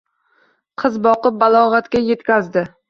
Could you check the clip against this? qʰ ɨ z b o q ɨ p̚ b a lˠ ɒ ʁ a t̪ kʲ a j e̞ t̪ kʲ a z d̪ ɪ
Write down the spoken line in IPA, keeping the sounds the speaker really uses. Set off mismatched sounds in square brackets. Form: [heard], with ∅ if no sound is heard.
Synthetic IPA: qʰ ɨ z b [ɒ] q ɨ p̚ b a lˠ ɒ ʁ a t̪ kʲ a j e̞ t̪ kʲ a z d̪ ɪ